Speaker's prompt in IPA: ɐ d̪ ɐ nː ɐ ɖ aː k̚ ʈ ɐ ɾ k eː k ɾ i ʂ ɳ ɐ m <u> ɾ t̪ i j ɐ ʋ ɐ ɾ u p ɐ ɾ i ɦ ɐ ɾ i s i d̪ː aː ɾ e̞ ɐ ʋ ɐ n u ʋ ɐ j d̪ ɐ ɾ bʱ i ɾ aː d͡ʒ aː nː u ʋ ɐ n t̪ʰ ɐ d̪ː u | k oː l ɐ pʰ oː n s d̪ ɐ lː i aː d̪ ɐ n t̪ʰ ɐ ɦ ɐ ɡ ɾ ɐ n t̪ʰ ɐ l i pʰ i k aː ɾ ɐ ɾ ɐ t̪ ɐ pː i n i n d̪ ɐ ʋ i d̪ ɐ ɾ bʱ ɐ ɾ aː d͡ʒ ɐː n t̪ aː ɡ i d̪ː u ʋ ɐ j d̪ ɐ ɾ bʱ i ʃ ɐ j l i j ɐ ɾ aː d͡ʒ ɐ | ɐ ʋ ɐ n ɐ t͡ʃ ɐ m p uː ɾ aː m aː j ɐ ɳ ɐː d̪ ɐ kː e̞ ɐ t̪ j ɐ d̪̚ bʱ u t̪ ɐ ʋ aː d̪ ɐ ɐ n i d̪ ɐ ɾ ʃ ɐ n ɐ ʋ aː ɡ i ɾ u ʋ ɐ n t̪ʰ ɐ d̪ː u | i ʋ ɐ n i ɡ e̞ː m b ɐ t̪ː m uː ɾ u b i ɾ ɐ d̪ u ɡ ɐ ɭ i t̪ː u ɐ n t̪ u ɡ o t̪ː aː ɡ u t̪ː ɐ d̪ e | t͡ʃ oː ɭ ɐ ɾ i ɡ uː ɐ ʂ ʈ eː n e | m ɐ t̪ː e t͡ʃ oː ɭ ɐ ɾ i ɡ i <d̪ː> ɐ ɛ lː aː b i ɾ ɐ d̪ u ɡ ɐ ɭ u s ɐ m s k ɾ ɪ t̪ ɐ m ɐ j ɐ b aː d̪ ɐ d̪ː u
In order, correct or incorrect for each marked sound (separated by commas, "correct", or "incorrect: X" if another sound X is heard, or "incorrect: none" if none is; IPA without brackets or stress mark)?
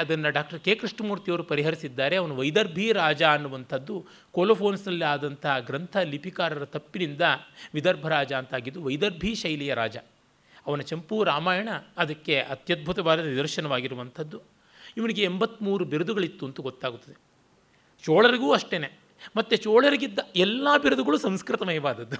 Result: incorrect: uː, correct